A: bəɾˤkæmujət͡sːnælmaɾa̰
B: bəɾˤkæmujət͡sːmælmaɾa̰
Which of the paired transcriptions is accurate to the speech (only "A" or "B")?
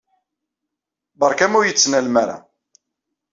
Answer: A